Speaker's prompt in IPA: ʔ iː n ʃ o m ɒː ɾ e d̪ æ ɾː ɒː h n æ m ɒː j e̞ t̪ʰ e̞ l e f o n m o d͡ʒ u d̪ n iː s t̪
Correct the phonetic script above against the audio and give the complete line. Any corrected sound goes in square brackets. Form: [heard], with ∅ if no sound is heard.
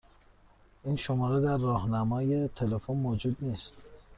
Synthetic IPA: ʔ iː n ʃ o m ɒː ɾ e d̪ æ ɾː ɒː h n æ m ɒː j e̞ t̪ʰ e̞ l e f o n m o d͡ʒ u d̪ n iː s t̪